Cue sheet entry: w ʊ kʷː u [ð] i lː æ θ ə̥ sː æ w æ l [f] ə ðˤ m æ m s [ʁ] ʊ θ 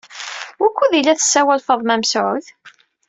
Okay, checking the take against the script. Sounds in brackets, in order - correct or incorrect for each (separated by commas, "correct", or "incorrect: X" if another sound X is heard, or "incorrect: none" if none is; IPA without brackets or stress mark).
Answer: correct, correct, incorrect: ʕ